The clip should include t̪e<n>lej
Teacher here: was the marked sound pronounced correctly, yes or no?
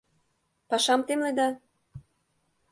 no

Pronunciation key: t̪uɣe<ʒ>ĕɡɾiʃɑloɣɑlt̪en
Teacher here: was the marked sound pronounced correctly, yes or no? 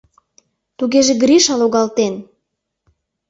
yes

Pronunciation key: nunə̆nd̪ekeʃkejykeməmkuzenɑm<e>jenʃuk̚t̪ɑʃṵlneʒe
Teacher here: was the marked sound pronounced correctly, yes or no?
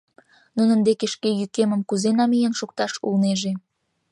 no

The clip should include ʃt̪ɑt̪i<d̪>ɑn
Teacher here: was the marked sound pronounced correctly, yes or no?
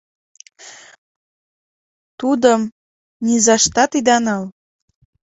yes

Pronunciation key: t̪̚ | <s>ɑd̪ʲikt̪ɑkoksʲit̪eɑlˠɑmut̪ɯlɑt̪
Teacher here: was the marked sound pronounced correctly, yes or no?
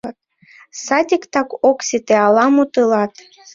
yes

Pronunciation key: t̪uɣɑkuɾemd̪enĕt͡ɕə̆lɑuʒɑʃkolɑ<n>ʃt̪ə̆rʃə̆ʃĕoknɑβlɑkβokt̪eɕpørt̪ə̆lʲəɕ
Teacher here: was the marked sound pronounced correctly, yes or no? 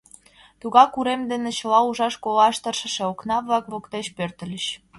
no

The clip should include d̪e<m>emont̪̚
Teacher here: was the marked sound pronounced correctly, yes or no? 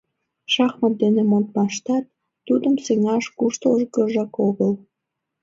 no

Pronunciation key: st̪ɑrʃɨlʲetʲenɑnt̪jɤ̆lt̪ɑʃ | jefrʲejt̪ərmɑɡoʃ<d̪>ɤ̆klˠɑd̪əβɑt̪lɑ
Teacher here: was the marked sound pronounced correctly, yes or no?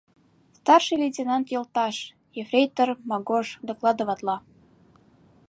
yes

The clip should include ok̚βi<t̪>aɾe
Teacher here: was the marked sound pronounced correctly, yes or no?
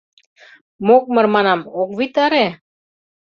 yes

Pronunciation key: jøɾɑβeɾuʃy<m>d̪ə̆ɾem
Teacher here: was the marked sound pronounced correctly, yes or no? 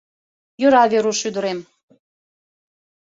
no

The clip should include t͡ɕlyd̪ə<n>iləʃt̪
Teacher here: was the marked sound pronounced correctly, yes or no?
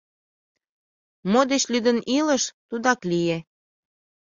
yes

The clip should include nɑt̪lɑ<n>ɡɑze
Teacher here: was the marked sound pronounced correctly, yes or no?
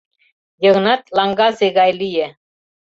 no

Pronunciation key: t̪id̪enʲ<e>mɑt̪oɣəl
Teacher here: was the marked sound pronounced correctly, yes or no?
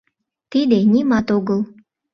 no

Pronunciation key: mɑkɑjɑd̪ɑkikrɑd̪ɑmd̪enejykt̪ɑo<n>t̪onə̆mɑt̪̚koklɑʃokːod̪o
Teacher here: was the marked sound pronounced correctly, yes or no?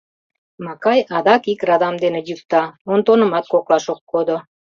yes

